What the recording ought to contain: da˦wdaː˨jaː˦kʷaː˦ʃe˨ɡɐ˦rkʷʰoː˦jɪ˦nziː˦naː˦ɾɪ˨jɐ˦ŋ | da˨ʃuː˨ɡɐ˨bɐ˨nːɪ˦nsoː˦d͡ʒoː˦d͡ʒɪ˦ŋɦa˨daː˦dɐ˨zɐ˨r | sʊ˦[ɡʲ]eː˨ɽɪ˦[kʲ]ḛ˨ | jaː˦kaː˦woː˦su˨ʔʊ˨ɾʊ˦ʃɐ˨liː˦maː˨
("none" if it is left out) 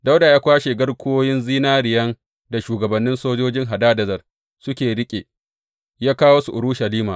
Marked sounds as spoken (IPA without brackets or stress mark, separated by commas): kʲ, kʲʼ